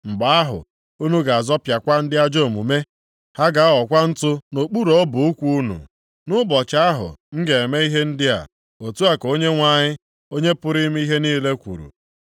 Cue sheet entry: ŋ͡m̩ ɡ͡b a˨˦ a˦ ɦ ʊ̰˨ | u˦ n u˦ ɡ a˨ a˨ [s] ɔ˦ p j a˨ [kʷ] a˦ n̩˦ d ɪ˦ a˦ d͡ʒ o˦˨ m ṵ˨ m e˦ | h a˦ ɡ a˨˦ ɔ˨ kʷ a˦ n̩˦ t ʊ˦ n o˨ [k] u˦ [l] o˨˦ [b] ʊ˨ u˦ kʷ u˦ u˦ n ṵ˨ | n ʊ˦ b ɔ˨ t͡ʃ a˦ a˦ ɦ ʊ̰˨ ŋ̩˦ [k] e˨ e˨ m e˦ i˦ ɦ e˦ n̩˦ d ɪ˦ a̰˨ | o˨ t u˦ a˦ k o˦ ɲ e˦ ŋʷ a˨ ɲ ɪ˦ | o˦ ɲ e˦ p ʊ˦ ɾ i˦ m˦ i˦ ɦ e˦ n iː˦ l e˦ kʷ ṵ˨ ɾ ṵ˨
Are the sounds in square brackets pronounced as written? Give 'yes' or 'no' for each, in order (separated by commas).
no, yes, no, no, yes, no